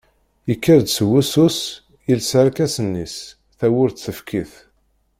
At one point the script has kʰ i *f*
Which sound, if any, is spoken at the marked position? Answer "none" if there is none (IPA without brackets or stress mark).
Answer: θ